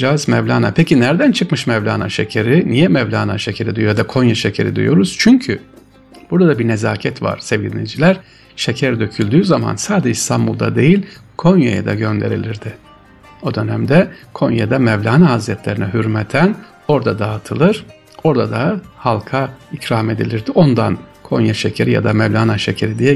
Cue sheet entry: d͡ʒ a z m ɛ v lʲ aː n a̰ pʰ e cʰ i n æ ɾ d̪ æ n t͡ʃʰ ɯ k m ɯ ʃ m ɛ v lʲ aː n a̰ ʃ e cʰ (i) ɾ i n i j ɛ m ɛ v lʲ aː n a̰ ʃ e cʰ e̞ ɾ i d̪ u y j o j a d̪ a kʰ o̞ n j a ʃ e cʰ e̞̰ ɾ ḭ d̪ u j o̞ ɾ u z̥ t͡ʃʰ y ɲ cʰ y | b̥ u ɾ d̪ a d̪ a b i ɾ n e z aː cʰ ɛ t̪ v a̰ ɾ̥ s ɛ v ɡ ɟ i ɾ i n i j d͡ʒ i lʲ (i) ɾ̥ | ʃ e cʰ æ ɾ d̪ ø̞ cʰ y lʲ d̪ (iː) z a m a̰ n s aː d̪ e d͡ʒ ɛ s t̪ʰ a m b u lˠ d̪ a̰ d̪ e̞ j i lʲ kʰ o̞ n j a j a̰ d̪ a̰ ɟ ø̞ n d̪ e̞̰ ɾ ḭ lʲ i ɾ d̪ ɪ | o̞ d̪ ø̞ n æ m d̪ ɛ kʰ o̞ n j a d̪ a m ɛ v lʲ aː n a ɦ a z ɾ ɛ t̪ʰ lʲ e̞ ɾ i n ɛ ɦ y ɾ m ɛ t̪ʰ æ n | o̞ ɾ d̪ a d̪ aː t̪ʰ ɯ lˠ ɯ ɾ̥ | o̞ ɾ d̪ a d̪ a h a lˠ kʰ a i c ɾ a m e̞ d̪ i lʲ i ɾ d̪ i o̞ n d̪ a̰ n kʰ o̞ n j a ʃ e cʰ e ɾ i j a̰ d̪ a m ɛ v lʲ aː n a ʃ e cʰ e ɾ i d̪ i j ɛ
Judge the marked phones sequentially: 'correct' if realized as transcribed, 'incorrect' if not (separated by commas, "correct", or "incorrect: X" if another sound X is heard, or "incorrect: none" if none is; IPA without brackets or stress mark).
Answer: incorrect: e, incorrect: æ, incorrect: yː